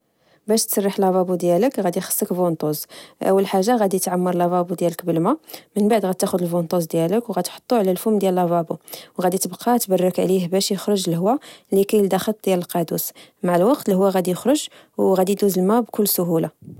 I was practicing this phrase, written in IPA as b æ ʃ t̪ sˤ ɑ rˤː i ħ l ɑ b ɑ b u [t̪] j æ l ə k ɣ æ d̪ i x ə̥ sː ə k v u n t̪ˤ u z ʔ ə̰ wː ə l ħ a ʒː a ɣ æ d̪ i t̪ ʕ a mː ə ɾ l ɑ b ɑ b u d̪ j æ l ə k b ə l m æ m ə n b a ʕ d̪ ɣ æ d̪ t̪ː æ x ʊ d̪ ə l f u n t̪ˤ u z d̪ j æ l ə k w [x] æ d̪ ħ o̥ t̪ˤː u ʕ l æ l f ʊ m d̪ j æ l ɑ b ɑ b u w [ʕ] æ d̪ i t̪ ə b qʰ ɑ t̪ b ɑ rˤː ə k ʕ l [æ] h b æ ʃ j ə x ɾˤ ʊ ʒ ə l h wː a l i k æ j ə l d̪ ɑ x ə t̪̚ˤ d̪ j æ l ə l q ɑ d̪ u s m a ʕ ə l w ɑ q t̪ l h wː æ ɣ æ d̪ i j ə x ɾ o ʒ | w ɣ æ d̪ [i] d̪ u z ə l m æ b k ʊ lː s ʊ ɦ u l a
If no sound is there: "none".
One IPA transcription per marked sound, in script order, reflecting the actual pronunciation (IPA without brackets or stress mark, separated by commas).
d̪, ɣ, ɣ, i, i